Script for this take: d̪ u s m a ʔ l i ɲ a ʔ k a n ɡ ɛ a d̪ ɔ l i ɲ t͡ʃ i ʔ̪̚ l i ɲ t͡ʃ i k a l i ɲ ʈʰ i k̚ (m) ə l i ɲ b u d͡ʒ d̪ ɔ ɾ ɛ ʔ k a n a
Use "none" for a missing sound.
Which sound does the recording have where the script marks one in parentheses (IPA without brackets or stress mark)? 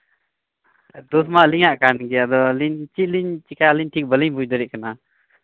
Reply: b